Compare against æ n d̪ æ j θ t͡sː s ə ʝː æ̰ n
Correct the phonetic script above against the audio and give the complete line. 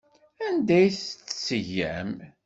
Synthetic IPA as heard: æ n d̪ æ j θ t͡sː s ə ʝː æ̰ m

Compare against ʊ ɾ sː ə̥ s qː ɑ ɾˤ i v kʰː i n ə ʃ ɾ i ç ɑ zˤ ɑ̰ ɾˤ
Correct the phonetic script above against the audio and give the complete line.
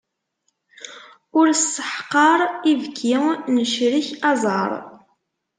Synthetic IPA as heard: ʊ ɾ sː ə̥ ħ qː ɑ ɾˤ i v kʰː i n ə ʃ ɾ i ç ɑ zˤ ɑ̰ ɾˤ

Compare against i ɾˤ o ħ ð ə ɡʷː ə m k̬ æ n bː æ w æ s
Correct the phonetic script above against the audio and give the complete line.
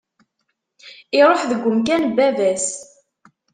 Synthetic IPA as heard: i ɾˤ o ħ ð ə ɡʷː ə m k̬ æ n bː æ v æ s

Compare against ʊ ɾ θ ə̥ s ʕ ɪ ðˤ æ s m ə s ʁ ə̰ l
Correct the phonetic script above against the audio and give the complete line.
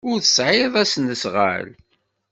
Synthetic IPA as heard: ʊ ɾ θ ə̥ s ʕ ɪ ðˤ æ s n ə s ʁ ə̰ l

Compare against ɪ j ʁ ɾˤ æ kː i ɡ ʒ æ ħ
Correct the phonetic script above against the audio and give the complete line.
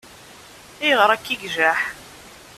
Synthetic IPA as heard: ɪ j ʁ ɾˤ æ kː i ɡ ʒ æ ħ

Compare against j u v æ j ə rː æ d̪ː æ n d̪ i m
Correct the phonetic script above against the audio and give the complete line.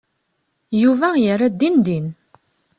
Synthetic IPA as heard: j u v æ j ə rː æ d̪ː i n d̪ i n

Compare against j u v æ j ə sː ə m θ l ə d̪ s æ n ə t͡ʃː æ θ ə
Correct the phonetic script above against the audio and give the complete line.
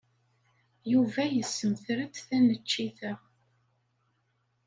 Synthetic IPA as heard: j u v æ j ə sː ə m θ ɾ ə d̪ θ æ n ə t͡ʃː i θ ə

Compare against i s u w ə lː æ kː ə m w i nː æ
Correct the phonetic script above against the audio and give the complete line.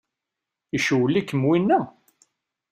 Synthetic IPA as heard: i ʃ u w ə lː i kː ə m w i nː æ

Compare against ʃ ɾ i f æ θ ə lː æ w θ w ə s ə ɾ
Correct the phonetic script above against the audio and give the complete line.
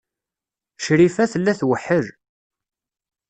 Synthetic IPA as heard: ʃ ɾ i f æ θ ə lː æ θ w ə ħ ə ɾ

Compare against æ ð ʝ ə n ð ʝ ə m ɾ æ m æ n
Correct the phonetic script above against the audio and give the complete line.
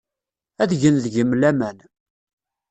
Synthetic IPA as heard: æ ð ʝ ə n ð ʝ ə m l æ m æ n

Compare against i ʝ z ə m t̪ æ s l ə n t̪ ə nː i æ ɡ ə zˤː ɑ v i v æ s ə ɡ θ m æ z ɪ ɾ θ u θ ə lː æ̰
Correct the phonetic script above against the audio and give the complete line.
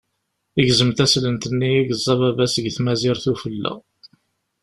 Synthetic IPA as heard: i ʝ z ə m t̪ æ s l ə n t̪ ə nː i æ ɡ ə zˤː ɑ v æ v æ s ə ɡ θ m æ z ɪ ɾ θ u f ə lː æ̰

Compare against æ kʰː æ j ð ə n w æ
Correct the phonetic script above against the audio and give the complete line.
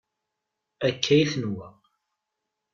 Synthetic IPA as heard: æ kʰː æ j θ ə n w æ

